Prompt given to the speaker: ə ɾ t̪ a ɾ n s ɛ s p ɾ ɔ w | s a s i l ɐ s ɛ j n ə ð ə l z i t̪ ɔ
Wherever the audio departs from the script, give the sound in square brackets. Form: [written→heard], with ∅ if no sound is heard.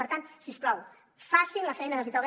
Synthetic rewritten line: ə ɾ t̪ a [ɾ→∅] n s [ɛ→i] s p [ɾ→l] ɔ w | [s→f] a s i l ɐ [s→f] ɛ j n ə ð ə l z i t̪ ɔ